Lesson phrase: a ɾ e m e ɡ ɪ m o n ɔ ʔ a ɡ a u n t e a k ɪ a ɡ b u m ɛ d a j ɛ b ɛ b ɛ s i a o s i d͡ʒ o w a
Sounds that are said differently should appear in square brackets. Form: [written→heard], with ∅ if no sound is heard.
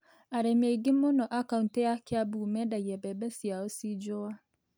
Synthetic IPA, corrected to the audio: a ɾ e m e ɡ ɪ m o n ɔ ʔ a [ɡ→k] a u n t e a k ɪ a [ɡ→∅] b u m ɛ d a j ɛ b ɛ b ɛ s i a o s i d͡ʒ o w a